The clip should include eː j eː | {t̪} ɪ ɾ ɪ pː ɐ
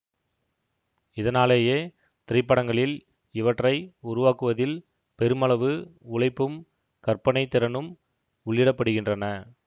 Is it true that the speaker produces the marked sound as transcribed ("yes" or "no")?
yes